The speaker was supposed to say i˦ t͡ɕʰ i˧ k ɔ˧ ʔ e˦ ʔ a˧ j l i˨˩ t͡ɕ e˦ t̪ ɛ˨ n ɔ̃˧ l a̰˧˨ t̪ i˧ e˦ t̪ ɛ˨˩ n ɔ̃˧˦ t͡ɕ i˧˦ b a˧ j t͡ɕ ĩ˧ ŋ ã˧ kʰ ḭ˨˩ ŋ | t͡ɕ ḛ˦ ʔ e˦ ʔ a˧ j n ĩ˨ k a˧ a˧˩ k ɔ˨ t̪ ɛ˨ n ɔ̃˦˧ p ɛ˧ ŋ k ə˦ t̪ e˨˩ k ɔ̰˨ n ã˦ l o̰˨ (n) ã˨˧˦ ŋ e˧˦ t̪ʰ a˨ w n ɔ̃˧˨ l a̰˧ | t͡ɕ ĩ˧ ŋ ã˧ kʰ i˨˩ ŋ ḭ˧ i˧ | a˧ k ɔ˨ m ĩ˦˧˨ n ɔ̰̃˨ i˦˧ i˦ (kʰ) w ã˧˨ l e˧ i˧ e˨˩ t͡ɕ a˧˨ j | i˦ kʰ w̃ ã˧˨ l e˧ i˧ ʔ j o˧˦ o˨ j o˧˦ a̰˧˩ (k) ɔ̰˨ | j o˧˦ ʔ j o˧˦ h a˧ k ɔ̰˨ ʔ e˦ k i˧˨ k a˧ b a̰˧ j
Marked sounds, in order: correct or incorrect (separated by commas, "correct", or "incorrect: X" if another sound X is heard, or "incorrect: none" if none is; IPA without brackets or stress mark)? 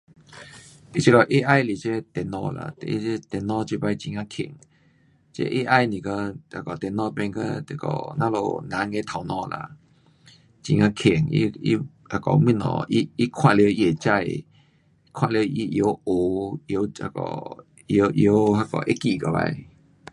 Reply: correct, correct, correct